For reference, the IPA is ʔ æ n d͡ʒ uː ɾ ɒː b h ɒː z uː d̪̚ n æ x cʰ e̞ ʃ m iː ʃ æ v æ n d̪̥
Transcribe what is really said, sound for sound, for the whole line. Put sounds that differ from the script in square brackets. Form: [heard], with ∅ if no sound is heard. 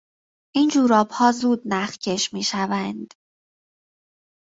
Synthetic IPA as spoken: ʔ [i] n d͡ʒ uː ɾ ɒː b h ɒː z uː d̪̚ n æ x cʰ e̞ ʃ m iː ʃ æ v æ n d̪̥